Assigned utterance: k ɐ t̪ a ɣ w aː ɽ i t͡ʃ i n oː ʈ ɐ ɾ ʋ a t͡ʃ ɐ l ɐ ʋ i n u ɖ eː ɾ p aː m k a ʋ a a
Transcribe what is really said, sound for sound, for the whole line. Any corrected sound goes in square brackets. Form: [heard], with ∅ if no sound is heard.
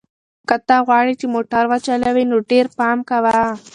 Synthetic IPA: k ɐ t̪ a ɣ w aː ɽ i t͡ʃ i [m] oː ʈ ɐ ɾ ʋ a t͡ʃ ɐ l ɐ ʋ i n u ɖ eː ɾ p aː m k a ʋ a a

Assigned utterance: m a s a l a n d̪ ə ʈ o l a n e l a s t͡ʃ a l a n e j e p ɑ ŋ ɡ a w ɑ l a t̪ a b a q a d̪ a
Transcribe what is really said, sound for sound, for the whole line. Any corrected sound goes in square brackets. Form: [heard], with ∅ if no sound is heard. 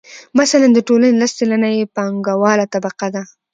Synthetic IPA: m a s a l a n d̪ ə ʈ o l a n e l a s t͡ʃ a l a n [a] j e p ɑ ŋ ɡ a w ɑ l a t̪ a b a q a d̪ a

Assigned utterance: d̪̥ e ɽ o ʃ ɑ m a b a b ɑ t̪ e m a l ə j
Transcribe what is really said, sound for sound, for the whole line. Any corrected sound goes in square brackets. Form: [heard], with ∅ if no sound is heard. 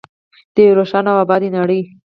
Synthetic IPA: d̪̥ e [ɾ] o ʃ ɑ [n] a [w] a b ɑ [d̪] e [n] a [ɽ] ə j

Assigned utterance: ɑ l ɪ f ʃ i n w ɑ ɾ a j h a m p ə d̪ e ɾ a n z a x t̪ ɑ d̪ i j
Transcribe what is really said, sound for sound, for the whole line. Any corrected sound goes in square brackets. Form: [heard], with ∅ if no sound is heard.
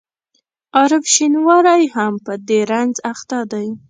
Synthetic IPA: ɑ [ɾ] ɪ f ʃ i n w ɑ ɾ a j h a m p ə d̪ e ɾ a n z a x t̪ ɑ d̪ [a] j

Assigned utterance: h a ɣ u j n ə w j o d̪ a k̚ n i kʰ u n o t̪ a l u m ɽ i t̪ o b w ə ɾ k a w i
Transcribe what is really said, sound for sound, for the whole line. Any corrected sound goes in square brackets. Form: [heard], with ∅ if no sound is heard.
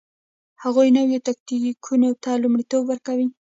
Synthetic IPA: h a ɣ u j n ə w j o [t̪] a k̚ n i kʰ u n o t̪ a l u m ɽ i t̪ o b w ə ɾ k a w i

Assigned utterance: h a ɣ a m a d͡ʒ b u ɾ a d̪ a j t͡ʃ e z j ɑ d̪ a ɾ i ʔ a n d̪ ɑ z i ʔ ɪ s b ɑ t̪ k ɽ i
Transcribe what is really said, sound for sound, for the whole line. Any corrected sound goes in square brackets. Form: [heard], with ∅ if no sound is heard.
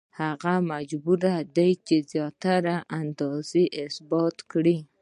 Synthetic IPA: h a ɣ a m a d͡ʒ b u ɾ a d̪ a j t͡ʃ e z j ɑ [t̪] a ɾ [a] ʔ a n d̪ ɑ z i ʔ ɪ s b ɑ t̪ k ɽ i

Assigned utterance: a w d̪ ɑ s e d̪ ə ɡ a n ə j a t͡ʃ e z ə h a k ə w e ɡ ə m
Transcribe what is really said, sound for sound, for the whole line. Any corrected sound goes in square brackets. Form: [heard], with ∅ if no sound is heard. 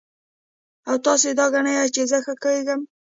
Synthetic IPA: a w [t̪] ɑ s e d̪ [ɑ] ɡ a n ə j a t͡ʃ e z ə [x] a k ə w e ɡ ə m

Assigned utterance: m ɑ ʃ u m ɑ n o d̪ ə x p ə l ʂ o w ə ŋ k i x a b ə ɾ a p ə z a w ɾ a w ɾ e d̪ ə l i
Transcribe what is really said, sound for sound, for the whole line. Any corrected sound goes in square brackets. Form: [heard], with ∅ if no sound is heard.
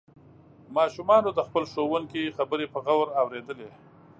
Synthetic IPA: m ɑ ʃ u m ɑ n o d̪ ə x p ə l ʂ o w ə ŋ k i x a b ə ɾ [e] p ə [ɣ] a w ɾ a w ɾ e d̪ ə l [e]

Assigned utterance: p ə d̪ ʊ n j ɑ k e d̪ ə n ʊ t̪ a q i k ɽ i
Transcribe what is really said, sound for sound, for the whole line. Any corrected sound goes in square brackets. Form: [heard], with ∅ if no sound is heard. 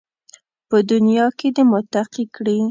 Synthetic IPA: p ə d̪ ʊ n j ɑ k e d̪ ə [m] ʊ t̪ a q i k ɽ i

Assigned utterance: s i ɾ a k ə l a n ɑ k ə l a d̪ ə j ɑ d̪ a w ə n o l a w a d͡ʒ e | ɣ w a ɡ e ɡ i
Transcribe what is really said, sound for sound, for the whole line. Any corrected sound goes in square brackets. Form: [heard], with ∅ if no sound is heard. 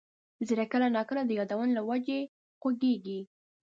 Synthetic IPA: [z] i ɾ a k ə l a n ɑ k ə l a d̪ ə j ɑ d̪ a w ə n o l a w a d͡ʒ e | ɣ w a ɡ e ɡ i

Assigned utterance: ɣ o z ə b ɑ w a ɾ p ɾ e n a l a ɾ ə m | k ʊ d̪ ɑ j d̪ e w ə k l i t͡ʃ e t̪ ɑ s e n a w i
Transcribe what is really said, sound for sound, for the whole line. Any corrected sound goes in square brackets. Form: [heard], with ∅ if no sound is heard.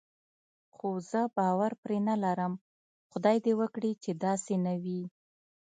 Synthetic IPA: [x] o z ə b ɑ w a ɾ p ɾ e n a l a ɾ ə m | [x] ʊ d̪ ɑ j d̪ e w ə k [ɽ] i t͡ʃ e [d̪] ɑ s e n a w i

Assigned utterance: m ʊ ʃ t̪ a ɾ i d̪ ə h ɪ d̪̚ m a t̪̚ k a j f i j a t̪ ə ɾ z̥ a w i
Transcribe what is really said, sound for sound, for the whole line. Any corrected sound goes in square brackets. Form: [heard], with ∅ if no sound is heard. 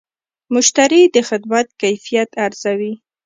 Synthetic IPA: m ʊ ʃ t̪ a ɾ i d̪ ə [x] ɪ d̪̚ m a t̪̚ k a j f i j a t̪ [a] ɾ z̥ a w i

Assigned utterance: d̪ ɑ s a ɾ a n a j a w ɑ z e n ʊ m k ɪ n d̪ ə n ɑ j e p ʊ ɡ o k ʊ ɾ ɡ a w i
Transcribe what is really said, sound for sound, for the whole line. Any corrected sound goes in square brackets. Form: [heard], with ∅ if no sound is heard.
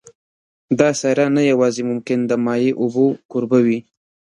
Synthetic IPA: d̪ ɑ s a ɾ a n a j a w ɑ z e [m] ʊ m k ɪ n d̪ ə [m] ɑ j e [ʔ] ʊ [b] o k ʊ ɾ [b] a w i

